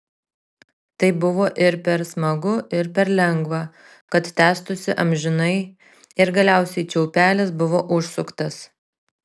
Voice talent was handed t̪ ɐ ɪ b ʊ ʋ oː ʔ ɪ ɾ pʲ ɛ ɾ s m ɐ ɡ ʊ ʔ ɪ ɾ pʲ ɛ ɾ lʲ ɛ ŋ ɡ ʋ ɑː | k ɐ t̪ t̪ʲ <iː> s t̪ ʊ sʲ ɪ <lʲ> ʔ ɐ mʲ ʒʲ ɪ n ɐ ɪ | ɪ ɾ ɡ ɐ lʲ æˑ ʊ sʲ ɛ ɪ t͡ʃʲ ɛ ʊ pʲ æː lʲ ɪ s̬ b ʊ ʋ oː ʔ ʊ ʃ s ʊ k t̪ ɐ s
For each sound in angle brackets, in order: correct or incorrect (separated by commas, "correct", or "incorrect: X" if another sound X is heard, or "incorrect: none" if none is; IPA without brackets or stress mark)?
incorrect: æː, incorrect: none